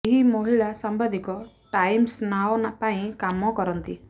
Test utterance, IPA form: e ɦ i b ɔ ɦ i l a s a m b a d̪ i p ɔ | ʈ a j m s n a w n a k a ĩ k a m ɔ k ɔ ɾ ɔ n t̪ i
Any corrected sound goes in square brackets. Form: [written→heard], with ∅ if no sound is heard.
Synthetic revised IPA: e ɦ i [b→m] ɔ ɦ i [l→ɭ] a s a m b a d̪ i [p→k] ɔ | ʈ a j m s n a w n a [k→p] a ĩ k a m ɔ k ɔ ɾ ɔ n t̪ i